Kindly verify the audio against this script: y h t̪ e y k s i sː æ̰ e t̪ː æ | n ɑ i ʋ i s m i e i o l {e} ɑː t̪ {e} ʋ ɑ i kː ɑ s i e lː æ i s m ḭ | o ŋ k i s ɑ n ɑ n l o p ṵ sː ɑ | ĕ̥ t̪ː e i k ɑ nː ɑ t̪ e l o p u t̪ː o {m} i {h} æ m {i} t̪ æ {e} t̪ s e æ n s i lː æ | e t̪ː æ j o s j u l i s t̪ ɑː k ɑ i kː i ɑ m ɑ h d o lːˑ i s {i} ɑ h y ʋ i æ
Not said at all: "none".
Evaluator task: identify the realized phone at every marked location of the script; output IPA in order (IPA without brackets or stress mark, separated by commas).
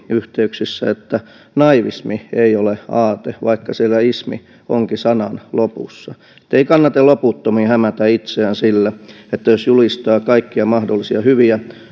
e, e, m, h, æ, i, i